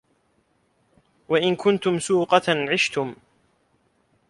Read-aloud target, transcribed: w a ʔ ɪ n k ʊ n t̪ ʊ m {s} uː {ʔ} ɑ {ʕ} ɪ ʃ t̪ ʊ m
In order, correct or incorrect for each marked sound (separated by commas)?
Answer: correct, incorrect, correct